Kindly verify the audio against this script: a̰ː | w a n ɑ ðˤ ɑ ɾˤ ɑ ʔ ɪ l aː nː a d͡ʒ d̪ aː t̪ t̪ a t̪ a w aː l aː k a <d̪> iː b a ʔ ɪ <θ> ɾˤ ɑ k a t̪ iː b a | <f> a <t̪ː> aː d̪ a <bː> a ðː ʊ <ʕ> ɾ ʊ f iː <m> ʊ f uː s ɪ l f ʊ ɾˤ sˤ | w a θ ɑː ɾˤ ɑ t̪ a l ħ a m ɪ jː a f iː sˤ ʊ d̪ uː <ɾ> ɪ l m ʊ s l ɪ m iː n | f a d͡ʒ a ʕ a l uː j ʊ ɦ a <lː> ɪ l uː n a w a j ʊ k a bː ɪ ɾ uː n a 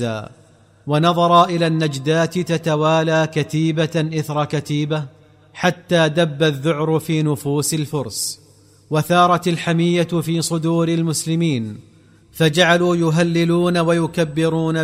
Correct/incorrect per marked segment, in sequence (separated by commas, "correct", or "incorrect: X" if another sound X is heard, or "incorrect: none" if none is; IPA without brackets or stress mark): incorrect: t̪, correct, incorrect: ħ, correct, correct, correct, incorrect: n, correct, correct